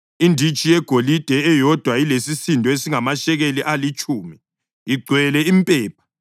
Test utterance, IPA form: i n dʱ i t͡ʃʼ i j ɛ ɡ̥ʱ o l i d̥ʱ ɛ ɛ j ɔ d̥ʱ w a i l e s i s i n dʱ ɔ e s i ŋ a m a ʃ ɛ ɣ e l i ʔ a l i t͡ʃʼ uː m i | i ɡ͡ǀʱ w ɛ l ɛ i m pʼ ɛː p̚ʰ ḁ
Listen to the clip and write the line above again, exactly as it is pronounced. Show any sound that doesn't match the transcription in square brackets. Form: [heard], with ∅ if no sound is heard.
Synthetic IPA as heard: i n dʱ i t͡ʃʼ i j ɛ ɡ̥ʱ o l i d̥ʱ ɛ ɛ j ɔ d̥ʱ w a i l e s i s i n dʱ ɔ e s i ŋ a m a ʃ ɛ ɣ e l i ʔ a l i t͡ʃʼ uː m i | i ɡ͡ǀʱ w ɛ l ɛ i m pʼ ɛː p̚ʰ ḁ